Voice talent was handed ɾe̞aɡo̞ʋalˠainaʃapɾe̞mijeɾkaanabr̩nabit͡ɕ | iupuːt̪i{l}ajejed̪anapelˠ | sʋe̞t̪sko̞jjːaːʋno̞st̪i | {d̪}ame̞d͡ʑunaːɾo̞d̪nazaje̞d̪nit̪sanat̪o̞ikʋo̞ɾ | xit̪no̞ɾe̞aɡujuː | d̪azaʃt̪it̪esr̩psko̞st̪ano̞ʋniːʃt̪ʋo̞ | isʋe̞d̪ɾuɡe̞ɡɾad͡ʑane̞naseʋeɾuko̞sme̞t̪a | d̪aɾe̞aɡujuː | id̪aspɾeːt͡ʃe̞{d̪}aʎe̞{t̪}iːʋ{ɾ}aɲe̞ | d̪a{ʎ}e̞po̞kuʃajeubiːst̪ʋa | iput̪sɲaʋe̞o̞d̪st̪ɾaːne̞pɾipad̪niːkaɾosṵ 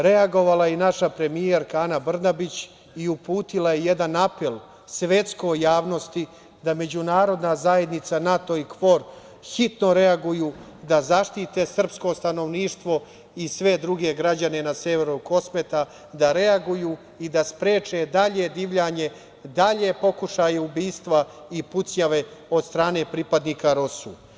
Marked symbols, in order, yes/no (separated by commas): yes, yes, yes, no, no, yes